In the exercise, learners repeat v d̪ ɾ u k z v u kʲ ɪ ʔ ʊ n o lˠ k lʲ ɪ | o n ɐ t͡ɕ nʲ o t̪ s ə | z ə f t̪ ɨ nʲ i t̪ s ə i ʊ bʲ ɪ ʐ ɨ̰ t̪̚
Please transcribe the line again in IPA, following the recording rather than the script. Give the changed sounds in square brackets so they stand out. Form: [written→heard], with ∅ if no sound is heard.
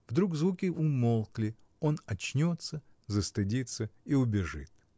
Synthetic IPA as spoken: v d̪ ɾ u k z v u kʲ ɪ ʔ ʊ [n→m] o lˠ k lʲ ɪ | o n ɐ t͡ɕ nʲ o t̪ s ə | z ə [f→s] t̪ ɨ [nʲ→dʲ] i t̪ s ə i ʊ bʲ ɪ ʐ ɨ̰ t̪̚

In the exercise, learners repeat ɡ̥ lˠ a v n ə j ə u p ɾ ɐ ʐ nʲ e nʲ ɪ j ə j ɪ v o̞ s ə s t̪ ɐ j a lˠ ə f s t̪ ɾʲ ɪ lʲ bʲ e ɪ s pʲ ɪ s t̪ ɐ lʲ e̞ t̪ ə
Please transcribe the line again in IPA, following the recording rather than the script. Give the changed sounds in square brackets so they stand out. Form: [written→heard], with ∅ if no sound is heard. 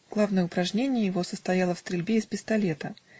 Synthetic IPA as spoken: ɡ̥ lˠ a v n ə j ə [u→ʊ] p ɾ ɐ ʐ nʲ e nʲ ɪ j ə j ɪ v o̞ s ə s t̪ ɐ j a lˠ ə f s t̪ ɾʲ ɪ lʲ bʲ e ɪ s pʲ ɪ s t̪ ɐ lʲ e̞ t̪ ə

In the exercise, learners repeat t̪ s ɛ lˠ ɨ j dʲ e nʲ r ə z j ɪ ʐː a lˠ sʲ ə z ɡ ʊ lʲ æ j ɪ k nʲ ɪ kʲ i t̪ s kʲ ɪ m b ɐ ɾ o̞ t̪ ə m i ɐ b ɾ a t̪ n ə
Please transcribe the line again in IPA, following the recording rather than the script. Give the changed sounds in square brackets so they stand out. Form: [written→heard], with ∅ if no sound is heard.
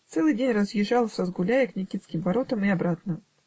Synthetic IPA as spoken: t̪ s ɛ lˠ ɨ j dʲ e nʲ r ə z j ɪ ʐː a lˠ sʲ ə z ɡ ʊ lʲ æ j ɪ k nʲ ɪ kʲ i t̪ s kʲ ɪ m [b→v] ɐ ɾ o̞ t̪ ə m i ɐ b ɾ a t̪ n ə

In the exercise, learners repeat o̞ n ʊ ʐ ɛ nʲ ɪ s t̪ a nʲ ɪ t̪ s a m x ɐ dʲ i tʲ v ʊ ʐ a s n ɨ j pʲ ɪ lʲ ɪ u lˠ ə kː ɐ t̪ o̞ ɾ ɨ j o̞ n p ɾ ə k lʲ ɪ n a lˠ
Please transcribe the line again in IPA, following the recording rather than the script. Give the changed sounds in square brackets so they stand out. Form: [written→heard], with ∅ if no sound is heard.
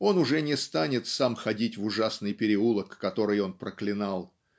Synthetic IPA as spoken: o̞ n ʊ ʐ ɛ nʲ ɪ s t̪ a nʲ ɪ t̪ s a m x ɐ dʲ i tʲ v ʊ ʐ a s n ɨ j pʲ ɪ [lʲ→ɾʲ] ɪ u lˠ ə kː ɐ t̪ o̞ ɾ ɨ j o̞ n p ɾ ə k lʲ ɪ n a lˠ

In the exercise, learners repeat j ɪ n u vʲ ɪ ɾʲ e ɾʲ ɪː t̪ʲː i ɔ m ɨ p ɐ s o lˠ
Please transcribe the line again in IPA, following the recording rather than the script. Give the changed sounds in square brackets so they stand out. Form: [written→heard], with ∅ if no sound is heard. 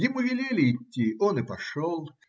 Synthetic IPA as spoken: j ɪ [n→m] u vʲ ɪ [ɾʲ→lʲ] e [ɾʲ→lʲ] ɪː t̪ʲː i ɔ [m→n] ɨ p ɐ [s→ʂ] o lˠ

